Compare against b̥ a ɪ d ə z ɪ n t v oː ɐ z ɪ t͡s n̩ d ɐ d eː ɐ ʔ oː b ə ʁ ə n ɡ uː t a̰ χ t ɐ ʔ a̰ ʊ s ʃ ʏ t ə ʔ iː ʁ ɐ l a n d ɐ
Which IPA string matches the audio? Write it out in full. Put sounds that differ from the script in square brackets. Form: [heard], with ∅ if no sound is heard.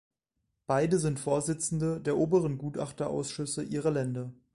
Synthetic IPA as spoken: b̥ a ɪ d ə z ɪ n t [f] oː ɐ z ɪ t͡s n̩ d [ə] d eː ɐ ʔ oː b ə ʁ ə n ɡ uː t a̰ χ t ɐ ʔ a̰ ʊ s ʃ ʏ [s] ə ʔ iː ʁ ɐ l [ɛ] n d ɐ